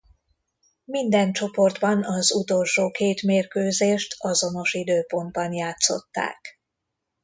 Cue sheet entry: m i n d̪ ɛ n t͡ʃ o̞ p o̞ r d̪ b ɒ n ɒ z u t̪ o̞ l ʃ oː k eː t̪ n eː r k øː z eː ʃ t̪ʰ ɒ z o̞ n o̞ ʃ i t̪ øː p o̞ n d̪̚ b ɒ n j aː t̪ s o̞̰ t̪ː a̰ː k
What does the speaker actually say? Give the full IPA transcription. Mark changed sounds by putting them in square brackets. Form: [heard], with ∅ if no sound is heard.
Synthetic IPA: m i n d̪ ɛ n t͡ʃ o̞ p o̞ r d̪ b ɒ n ɒ z u t̪ o̞ l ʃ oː k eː t̪ [m] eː r k øː z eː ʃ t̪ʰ ɒ z o̞ n o̞ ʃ i [d̪] øː p o̞ n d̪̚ b ɒ n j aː t̪ s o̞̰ t̪ː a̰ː k